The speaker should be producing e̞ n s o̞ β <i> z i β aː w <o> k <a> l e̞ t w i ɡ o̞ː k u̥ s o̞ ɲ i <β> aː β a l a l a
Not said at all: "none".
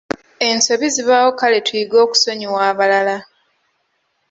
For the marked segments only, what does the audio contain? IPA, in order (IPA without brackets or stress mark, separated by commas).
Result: i, o, a, w